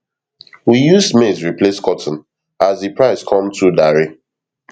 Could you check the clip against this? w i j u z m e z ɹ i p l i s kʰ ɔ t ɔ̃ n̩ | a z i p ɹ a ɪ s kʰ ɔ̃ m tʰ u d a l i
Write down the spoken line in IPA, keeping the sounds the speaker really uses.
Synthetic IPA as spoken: w i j u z m e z ɹ i p l e s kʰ ɔ t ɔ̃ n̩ | a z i p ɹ a ɪ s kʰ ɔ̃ m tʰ u d a ɹ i